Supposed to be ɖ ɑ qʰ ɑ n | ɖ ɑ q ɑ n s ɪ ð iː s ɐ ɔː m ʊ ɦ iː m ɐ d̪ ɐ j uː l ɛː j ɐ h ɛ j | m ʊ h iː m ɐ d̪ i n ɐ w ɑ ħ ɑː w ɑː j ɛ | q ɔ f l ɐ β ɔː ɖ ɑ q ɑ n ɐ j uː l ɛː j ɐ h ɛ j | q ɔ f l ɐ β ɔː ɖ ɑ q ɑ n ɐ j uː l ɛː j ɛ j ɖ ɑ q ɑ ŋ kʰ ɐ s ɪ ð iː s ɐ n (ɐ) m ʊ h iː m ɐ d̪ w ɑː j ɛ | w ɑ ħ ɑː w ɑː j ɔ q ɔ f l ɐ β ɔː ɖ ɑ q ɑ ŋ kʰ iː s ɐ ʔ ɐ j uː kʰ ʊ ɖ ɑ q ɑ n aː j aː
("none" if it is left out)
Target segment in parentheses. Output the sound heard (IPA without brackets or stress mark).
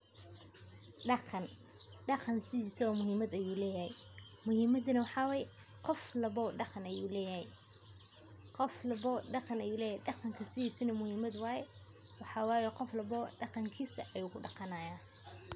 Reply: ɐ